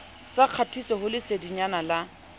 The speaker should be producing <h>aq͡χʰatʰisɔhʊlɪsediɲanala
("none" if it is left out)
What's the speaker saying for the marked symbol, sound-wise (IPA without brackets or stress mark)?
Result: s